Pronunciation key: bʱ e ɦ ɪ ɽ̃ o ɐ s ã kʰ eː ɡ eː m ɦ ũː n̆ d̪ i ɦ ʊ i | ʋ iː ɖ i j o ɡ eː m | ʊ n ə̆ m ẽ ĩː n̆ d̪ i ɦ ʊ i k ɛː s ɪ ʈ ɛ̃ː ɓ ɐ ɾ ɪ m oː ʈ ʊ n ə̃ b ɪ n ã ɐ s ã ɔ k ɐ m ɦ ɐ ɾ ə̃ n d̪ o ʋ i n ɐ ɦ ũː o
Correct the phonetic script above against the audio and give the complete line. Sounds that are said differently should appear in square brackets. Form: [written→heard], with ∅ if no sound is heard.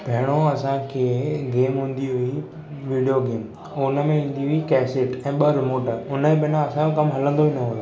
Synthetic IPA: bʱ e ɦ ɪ ɽ̃ o ɐ s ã kʰ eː ɡ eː m ɦ ũː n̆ d̪ i ɦ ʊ i | ʋ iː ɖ i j o ɡ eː m | ʊ n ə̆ m ẽ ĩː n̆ d̪ i ɦ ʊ i k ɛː s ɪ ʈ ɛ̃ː ɓ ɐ ɾ ɪ m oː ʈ ʊ n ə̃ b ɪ n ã ɐ s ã [ɔ→o] k ɐ m ɦ ɐ [ɾ→l] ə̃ n d̪ o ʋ i n ɐ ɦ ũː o